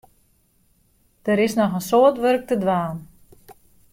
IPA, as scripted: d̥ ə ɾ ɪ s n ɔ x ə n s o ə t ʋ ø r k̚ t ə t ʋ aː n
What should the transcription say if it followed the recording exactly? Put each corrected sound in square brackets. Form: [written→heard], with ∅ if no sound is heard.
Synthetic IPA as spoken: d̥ ə ɾ ɪ s n ɔ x ə n s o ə t ʋ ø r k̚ t ə [t→d] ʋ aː n